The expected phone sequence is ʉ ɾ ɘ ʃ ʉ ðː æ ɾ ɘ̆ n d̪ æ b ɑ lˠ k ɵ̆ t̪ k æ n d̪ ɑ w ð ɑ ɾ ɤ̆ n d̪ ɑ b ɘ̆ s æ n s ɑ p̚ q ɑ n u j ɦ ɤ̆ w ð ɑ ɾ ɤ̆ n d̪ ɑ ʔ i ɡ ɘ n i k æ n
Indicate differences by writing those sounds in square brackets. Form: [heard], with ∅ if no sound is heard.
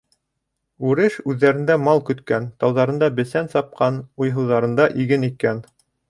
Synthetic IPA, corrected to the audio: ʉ ɾ ɘ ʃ ʉ ðː æ ɾ ɘ̆ n d̪ æ [m] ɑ lˠ k ɵ̆ t̪ k æ n [t̪] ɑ w ð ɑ ɾ ɤ̆ n d̪ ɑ b ɘ̆ s æ n s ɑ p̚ q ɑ n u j ɦ ɤ̆ w ð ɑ ɾ ɤ̆ n d̪ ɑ ʔ i ɡ ɘ n i k æ n